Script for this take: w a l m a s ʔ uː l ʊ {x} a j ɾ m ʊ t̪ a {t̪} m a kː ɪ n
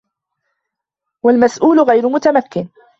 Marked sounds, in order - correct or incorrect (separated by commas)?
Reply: incorrect, incorrect